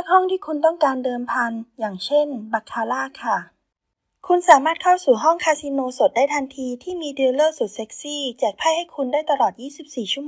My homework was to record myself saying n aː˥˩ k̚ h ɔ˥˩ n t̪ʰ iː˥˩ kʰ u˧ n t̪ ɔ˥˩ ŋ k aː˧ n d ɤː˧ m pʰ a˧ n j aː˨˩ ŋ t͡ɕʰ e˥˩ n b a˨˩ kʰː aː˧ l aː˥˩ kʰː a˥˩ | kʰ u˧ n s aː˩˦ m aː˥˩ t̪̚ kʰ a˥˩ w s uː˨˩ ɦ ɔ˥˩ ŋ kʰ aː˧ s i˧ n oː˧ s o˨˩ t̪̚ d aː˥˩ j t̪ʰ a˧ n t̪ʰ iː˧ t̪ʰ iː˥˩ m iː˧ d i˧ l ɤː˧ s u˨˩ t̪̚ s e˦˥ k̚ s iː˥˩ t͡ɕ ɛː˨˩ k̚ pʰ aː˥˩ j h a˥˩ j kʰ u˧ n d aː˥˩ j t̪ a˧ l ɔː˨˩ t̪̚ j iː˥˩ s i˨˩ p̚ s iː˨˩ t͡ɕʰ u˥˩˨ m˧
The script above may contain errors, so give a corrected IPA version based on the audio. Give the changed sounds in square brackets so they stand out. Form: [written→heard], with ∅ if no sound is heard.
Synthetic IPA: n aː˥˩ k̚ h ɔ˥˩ [n→ŋ] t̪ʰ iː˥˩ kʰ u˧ n t̪ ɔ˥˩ ŋ k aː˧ n d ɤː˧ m pʰ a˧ n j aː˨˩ ŋ t͡ɕʰ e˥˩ n b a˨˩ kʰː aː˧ l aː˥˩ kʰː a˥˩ | kʰ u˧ n s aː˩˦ m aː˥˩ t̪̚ kʰ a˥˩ w s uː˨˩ ɦ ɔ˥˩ ŋ kʰ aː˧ s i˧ n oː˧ s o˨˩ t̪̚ d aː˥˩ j t̪ʰ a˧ n t̪ʰ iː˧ t̪ʰ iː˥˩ m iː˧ d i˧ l [ɤː˧→ɤː˥˩] s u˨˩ t̪̚ s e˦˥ k̚ s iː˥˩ t͡ɕ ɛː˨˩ k̚ pʰ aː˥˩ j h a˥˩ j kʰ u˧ n d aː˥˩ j t̪ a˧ l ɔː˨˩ t̪̚ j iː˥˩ s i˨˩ p̚ s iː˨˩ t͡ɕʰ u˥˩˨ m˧